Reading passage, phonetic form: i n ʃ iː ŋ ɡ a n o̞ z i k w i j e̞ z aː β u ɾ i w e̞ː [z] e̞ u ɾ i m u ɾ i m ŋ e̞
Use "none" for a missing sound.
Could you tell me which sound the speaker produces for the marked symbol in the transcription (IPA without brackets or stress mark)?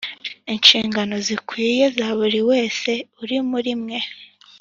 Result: s